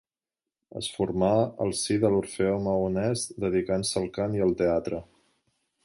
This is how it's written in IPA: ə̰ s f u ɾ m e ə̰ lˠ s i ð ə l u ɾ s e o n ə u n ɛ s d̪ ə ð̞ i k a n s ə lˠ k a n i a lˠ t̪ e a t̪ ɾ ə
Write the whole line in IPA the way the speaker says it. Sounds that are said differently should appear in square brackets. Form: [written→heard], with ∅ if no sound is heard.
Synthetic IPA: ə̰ s f u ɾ m [e→a] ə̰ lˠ s i ð ə l u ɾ [s→f] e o [n→m] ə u n ɛ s d̪ ə ð̞ i k a n s ə lˠ k a n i [a→ə] lˠ t̪ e a t̪ ɾ ə